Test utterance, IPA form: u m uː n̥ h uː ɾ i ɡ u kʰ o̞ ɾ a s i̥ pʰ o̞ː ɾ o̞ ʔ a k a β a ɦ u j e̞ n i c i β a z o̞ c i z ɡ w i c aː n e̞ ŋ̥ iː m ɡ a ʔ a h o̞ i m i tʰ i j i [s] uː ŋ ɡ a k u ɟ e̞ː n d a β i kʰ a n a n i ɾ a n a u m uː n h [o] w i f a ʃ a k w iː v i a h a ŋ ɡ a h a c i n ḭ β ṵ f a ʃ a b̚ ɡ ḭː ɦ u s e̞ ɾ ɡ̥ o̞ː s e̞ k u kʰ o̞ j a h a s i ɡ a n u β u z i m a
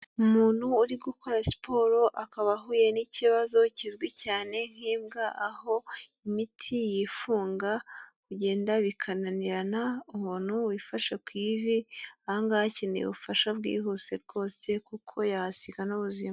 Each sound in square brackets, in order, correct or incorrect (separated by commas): incorrect, incorrect